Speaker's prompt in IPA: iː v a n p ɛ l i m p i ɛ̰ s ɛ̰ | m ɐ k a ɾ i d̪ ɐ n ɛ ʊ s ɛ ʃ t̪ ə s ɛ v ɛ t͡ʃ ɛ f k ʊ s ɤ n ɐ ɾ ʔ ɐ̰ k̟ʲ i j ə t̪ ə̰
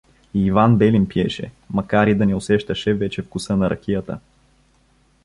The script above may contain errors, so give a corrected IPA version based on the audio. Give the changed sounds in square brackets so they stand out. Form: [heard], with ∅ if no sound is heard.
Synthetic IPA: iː v a n [b] ɛ l i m p i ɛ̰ [ʃ] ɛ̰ | m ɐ k a ɾ i d̪ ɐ n ɛ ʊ s ɛ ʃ t̪ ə [ʃ] ɛ v ɛ t͡ʃ ɛ f k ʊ s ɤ n ɐ ɾ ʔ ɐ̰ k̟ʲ i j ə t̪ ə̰